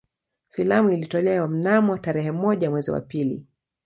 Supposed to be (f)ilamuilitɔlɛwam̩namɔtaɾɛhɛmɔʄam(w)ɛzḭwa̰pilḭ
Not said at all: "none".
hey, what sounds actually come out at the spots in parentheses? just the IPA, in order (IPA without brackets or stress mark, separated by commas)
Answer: f, w